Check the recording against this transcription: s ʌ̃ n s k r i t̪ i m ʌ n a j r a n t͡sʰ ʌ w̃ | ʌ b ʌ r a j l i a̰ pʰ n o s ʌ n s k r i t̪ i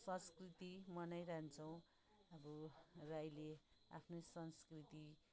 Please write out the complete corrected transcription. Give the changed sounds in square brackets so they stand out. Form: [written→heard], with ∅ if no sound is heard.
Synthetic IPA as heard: s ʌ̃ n s k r i t̪ i m ʌ n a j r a n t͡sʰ ʌ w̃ | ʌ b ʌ r a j l [i→e] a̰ pʰ n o s ʌ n s k r i t̪ i